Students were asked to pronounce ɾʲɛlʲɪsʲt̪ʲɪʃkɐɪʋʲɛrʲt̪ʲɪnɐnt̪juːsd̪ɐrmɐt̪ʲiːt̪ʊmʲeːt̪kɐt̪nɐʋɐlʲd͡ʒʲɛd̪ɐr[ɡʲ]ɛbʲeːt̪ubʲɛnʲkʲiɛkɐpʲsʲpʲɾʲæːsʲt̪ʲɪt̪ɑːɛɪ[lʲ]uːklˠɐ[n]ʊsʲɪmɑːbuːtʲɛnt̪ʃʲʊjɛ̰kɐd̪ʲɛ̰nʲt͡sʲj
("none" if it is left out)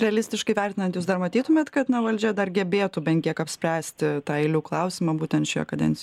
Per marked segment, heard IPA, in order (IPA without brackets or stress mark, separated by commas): ɡʲ, lʲ, none